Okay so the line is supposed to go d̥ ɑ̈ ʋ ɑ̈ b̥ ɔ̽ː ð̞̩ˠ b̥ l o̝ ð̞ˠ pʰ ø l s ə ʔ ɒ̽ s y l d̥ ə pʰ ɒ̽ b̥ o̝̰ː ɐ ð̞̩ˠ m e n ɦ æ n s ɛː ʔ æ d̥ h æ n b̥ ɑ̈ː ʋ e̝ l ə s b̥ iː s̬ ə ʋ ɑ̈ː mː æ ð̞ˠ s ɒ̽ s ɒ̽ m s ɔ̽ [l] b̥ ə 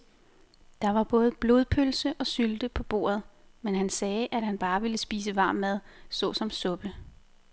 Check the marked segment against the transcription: incorrect: none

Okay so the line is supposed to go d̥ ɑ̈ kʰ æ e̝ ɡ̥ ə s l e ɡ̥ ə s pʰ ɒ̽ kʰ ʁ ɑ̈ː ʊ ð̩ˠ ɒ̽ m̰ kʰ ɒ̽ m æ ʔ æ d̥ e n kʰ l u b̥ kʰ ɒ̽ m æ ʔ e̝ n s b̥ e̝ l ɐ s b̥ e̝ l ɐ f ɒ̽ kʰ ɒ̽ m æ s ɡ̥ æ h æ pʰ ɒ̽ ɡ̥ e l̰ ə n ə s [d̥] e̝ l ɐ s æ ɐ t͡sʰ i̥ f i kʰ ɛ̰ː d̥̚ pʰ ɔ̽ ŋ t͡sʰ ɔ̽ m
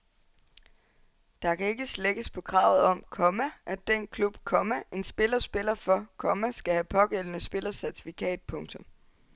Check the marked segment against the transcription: incorrect: b̥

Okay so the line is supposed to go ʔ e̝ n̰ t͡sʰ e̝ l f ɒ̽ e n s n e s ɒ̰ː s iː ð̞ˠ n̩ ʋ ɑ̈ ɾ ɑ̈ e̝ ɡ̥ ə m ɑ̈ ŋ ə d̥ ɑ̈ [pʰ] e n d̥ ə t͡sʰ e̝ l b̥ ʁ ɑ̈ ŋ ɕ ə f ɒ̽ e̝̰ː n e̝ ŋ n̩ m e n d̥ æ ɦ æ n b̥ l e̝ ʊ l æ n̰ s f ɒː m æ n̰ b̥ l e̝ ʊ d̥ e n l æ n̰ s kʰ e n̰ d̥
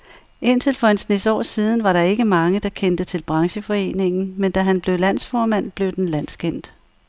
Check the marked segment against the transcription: incorrect: kʰ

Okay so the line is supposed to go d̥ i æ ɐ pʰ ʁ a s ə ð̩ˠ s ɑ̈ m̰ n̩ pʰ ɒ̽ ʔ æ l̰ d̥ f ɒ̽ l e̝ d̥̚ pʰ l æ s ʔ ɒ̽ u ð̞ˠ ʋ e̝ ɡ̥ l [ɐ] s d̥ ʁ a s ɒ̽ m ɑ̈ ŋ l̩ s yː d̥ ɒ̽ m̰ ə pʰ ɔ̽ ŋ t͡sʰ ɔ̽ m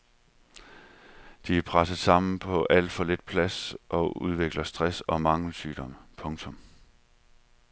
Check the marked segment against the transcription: correct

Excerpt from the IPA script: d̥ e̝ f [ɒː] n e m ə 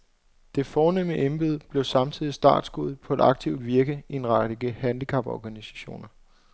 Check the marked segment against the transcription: correct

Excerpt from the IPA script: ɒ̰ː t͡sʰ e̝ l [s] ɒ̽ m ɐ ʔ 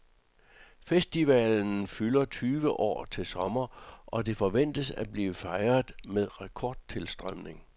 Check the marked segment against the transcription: correct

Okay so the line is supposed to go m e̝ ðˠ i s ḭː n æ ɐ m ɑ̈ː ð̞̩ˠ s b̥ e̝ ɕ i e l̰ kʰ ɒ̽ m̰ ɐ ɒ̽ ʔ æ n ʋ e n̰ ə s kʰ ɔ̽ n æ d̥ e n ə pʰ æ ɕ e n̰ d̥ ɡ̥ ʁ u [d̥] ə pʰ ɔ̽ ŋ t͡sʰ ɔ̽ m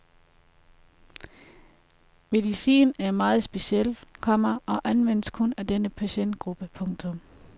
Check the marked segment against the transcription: incorrect: b̥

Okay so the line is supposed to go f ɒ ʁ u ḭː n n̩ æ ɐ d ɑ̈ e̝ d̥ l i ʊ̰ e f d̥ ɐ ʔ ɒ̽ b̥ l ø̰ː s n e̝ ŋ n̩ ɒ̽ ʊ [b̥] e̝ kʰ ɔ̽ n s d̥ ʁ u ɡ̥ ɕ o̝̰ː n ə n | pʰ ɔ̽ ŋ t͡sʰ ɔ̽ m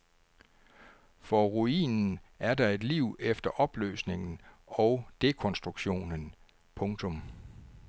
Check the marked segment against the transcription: incorrect: d̥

